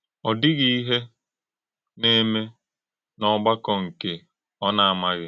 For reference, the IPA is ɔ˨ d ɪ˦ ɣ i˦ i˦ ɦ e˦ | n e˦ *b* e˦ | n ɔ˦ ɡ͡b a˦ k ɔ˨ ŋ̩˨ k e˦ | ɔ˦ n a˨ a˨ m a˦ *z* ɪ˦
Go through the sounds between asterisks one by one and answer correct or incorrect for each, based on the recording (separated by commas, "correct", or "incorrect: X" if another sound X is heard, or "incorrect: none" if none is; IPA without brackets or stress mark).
incorrect: m, incorrect: ɣ